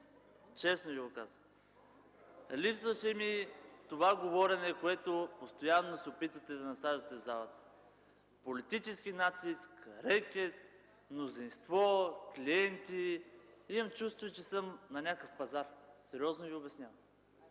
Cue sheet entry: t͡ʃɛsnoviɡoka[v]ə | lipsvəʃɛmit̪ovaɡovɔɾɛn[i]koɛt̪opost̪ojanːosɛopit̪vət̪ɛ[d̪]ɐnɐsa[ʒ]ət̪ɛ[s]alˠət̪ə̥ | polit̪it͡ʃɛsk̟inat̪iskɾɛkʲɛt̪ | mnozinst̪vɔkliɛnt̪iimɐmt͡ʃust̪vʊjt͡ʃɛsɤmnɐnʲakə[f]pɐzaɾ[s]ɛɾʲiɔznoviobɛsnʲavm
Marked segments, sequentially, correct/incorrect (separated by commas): incorrect, incorrect, correct, correct, incorrect, correct, correct